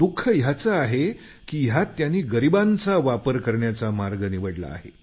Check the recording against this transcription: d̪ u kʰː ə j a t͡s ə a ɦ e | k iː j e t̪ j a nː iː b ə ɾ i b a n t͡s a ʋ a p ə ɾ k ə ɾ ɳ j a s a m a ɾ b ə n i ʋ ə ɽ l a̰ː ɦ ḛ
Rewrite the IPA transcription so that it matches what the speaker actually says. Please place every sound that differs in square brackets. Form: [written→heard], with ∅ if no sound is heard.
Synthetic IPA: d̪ u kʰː ə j a t͡s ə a ɦ e | k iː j [e→a] t̪ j a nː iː [b→ɡ] ə ɾ i b a n t͡s a ʋ a p ə ɾ k ə ɾ ɳ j a [s→t͡s] a m a ɾ [b→ɡ] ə n i ʋ ə ɽ l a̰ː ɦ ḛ